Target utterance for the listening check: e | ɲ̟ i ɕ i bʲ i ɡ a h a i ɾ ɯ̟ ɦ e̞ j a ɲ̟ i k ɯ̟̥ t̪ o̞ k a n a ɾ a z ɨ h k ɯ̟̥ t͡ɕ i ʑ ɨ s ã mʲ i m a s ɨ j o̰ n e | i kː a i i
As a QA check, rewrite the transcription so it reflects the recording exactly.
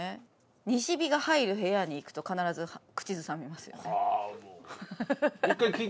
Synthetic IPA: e | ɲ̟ i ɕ i bʲ i ɡ a h a i ɾ ɯ̟ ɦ e̞ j a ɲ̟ iː k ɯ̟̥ t̪ o̞ k a n a ɾ a z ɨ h k ɯ̟̥ t͡ɕ i z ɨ s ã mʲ i m a s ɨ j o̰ n e | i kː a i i